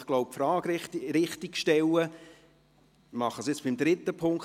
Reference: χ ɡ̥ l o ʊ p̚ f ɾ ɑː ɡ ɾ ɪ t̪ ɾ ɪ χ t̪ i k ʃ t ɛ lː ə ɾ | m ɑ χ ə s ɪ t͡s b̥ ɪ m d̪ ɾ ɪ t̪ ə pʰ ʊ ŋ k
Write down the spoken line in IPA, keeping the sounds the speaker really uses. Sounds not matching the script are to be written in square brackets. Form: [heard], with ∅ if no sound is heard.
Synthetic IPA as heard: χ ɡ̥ l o ʊ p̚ f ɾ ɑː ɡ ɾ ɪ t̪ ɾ ɪ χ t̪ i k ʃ t ɛ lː ə [∅] | m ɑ χ ə s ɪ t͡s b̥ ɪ m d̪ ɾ ɪ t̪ ə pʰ ʊ ŋ k